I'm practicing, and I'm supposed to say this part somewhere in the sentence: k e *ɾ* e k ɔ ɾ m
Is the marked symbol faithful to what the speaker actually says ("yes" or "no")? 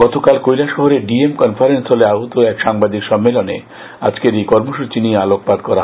yes